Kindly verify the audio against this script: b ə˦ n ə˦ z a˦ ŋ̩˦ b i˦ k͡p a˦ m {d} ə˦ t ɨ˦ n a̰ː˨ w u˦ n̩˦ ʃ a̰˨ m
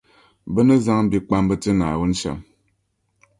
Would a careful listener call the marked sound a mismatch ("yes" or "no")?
yes